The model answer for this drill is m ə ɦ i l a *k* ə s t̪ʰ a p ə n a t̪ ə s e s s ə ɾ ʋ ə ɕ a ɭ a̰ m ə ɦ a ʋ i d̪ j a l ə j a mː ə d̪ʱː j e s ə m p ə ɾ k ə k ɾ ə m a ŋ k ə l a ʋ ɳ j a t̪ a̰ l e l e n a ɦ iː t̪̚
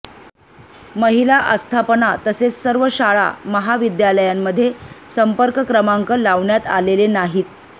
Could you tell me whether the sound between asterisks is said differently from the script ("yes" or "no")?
yes